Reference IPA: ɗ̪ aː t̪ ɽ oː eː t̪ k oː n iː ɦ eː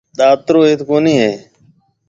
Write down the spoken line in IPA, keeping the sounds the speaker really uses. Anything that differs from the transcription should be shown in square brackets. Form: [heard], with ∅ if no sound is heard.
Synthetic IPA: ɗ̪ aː t̪ [ɾ] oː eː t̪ k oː n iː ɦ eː